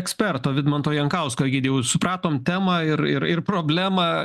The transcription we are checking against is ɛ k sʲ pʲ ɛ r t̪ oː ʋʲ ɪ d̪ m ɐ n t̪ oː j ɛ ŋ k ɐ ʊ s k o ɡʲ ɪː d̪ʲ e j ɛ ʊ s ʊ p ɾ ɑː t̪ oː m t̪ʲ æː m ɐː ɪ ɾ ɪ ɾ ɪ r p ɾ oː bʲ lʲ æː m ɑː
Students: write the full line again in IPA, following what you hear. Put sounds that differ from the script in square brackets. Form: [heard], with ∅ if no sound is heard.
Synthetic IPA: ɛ k sʲ pʲ ɛ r t̪ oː ʋʲ ɪ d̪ m ɐ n t̪ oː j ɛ ŋ k ɐ ʊ s k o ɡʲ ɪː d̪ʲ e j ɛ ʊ s ʊ p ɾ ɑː t̪ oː m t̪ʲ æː m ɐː ɪ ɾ ɪ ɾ ɪ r p ɾ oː bʲ lʲ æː m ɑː